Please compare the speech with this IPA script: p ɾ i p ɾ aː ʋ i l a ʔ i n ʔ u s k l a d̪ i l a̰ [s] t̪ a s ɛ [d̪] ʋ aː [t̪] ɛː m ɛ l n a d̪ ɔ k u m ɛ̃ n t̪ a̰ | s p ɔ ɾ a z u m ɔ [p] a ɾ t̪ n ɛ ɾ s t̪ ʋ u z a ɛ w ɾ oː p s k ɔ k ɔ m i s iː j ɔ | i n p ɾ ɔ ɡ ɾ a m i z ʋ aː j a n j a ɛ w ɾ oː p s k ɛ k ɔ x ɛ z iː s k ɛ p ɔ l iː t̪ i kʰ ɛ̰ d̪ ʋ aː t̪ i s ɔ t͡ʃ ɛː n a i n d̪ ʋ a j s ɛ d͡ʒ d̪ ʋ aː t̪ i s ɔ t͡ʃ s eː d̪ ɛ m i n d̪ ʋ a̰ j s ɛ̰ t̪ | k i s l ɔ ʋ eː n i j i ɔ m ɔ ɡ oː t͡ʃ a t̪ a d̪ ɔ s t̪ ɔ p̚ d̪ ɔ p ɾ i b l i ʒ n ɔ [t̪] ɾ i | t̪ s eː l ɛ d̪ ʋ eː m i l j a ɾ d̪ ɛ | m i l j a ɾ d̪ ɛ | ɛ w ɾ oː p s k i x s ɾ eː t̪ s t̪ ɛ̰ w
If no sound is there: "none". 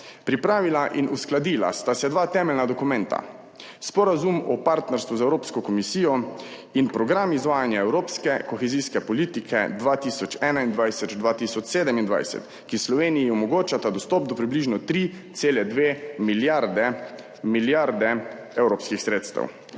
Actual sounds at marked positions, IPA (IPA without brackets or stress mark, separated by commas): s, d̪, t̪, p, t̪